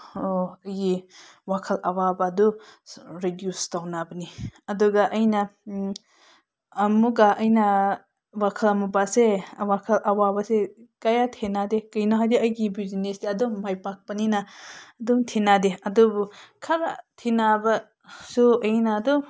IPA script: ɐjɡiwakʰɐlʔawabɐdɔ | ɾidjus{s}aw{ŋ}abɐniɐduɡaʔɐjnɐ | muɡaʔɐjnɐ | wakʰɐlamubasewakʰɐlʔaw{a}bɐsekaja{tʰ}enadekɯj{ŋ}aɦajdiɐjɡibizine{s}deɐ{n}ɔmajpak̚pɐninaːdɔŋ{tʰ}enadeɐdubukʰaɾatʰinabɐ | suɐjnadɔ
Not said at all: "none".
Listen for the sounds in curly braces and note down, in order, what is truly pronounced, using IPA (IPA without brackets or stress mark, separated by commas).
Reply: t, n, a, tʰ, n, s, d, tʰ